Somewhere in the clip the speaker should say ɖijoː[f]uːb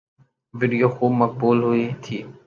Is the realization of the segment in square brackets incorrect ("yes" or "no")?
yes